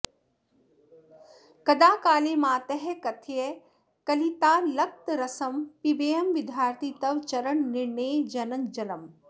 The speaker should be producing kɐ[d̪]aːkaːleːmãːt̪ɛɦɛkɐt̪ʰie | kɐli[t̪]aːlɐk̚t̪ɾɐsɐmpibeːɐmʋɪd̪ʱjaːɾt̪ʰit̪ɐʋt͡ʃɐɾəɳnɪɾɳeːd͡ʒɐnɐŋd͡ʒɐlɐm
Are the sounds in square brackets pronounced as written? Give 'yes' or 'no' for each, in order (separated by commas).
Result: yes, yes